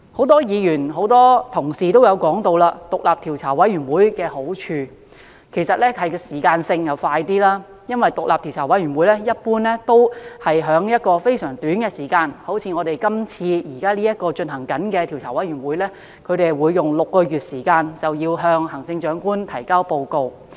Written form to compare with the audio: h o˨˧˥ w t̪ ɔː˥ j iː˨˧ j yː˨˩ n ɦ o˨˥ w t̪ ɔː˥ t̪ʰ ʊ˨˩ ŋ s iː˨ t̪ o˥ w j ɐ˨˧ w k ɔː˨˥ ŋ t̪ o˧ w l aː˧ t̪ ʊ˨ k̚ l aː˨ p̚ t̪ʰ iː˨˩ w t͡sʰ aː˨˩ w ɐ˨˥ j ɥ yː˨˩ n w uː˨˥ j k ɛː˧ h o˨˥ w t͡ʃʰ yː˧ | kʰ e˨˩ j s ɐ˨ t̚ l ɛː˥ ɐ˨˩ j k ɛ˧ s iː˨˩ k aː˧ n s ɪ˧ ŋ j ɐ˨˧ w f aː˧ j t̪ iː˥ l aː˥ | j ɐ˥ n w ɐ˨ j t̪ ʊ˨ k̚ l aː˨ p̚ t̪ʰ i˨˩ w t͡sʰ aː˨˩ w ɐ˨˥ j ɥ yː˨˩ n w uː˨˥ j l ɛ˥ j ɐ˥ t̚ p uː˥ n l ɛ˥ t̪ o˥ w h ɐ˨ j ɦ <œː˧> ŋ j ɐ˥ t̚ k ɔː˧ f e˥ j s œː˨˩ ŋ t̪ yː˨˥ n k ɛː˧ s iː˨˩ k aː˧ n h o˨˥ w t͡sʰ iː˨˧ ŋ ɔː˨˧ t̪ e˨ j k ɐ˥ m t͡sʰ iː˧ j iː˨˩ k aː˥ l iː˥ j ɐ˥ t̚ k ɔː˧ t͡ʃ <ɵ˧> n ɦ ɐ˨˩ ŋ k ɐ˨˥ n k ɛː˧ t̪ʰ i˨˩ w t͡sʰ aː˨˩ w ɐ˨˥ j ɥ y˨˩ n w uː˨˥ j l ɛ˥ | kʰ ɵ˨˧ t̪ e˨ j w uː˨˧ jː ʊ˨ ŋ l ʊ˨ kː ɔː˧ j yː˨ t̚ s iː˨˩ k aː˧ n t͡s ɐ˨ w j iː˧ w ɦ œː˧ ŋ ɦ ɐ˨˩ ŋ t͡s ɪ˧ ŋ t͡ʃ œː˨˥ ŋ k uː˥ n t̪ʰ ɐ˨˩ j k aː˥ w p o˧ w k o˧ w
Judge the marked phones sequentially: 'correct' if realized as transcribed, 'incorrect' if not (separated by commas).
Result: incorrect, correct